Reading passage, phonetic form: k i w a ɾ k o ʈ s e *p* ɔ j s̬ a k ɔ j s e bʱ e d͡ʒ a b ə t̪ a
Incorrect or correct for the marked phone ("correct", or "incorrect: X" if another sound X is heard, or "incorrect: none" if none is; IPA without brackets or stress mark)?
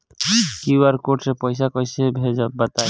correct